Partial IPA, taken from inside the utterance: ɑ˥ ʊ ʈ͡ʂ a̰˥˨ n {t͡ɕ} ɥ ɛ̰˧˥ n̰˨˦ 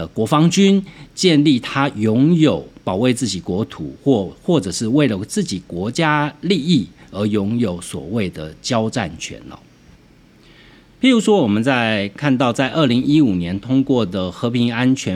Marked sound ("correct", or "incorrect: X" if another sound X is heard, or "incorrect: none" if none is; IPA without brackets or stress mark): incorrect: t͡ɕʰ